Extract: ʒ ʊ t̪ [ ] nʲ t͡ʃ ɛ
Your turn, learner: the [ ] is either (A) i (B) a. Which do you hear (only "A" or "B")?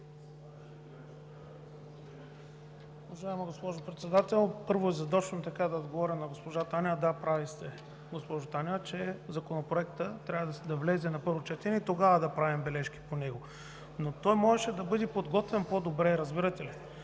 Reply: B